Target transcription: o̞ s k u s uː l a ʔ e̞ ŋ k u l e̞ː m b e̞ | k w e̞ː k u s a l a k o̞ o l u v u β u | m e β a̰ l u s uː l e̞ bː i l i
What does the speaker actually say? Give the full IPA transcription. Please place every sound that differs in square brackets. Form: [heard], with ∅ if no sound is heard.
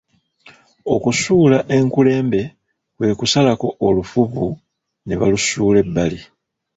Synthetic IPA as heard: o̞ [∅] k u s uː l a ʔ e̞ ŋ k u l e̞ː m b e̞ | k w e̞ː k u s a l a k o̞ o l u [f] u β u | [n] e β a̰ l u s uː l e̞ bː [a] l i

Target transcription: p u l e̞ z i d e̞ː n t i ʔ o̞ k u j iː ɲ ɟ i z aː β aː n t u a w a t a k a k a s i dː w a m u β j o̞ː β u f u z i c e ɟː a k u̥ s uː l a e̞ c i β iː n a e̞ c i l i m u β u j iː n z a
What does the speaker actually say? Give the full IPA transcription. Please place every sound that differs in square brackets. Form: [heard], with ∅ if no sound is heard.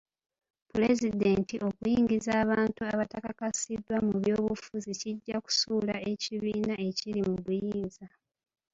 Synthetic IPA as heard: p u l e̞ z i d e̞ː n t i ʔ o̞ k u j iː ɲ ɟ i z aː β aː n t u a [β] a t a k a k a s i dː w a m u β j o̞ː β u f u z i c [i] ɟː a k u̥ s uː l a e̞ c i β iː n a e̞ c i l i m u β u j iː n z a

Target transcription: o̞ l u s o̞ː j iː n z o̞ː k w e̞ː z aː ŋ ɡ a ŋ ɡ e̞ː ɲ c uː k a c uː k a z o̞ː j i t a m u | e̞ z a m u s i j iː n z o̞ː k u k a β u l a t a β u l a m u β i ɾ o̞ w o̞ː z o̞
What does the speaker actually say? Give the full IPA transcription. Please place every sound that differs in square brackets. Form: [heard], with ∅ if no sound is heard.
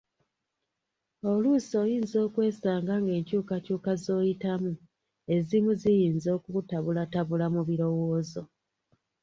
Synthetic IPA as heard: o̞ l u s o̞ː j iː n z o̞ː k w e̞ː [s] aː ŋ ɡ a ŋ ɡ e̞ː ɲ c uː k a c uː k a z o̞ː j i t a m u | e̞ z [i] m u [z] i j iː n z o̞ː k u [t] a β u l a t a β u l a m u β i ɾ o̞ w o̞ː z o̞

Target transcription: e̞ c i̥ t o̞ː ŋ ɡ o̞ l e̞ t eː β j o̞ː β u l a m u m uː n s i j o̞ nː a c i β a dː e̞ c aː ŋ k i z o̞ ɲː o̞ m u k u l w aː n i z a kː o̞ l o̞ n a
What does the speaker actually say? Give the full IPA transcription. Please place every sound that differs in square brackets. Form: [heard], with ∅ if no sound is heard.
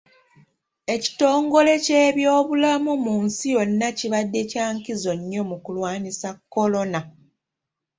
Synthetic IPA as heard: e̞ c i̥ t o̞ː ŋ ɡ o̞ l e̞ [c] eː β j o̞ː β u l a m u m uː n s i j o̞ nː a c i β a dː e̞ c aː ŋ k i z o̞ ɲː o̞ m u k u l w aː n i [s] a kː o̞ l o̞ n a

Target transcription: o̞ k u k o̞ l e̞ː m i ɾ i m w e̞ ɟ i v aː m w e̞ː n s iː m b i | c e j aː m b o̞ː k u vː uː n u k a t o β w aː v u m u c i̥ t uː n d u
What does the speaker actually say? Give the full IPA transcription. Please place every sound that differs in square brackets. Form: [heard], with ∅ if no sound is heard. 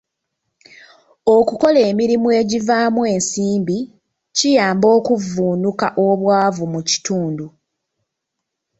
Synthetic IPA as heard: o̞ k u k o̞ l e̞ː m i ɾ i m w e̞ ɟ i v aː m w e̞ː n s iː m b i | c [i] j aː m b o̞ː k u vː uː n u k a [ʔ] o β w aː v u m u c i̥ t uː n d u

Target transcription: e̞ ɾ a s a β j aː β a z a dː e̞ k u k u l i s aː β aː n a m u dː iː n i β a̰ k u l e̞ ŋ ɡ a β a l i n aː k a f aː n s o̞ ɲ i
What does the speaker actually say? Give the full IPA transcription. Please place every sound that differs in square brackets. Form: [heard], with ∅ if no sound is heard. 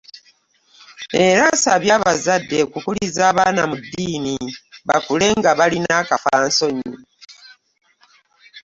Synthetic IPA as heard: e̞ ɾ a s a β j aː β a z a dː e̞ k u k u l i [z] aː β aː n a m u dː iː n i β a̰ k u l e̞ ŋ ɡ a β a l i n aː k a f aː n s o̞ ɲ i

